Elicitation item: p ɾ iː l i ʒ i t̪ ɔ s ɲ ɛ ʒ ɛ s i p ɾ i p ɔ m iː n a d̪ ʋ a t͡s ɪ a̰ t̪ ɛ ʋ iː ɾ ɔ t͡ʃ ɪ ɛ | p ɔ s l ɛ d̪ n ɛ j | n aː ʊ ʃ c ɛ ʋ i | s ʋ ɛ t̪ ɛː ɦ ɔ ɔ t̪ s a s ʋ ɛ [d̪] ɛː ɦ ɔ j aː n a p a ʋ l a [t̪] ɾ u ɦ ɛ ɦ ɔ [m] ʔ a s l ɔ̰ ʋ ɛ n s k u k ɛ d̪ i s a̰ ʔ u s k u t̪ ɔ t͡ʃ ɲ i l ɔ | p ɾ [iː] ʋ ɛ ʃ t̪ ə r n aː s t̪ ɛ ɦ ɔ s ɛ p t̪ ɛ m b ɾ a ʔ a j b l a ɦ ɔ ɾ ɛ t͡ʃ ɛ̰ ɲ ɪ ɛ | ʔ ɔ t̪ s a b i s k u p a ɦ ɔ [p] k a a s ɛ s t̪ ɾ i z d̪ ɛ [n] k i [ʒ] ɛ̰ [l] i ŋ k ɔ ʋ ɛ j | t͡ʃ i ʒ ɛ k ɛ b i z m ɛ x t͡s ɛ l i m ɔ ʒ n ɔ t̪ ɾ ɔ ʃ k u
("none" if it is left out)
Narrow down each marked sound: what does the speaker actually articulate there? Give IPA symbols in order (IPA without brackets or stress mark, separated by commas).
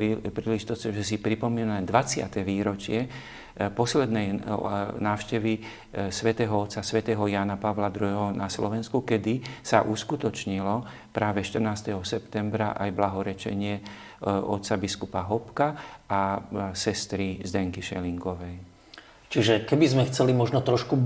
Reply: t̪, d̪, n, aː, p, ŋ, ʃ, l